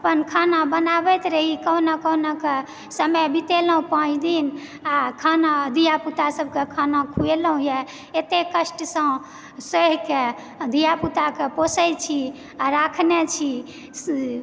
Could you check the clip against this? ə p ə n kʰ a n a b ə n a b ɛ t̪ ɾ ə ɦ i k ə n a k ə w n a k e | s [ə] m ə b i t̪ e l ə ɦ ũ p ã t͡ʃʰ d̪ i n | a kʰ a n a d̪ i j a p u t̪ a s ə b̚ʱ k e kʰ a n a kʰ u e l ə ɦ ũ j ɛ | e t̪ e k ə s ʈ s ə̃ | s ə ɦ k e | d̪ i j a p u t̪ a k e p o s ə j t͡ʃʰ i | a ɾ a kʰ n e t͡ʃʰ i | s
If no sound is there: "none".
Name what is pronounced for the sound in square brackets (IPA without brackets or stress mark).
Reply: ə